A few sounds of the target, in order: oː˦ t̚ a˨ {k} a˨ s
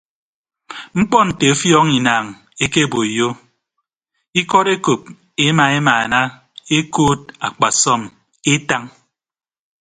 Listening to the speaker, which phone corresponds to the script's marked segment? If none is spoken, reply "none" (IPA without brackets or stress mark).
k͡p